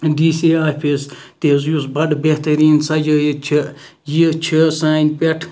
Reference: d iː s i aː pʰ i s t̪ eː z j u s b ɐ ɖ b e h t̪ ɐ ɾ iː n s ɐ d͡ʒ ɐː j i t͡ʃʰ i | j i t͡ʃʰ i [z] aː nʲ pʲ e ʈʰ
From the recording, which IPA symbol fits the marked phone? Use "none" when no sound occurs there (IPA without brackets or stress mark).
s